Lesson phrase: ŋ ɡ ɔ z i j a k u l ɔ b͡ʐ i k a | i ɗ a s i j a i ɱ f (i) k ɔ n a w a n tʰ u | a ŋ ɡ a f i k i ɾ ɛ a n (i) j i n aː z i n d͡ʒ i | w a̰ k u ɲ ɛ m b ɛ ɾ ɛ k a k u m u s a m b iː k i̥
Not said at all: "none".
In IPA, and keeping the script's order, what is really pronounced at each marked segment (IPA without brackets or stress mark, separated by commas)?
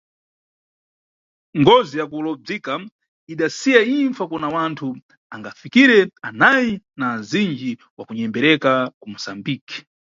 a, a